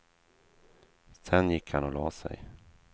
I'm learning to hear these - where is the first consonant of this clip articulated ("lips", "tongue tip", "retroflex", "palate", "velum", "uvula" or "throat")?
tongue tip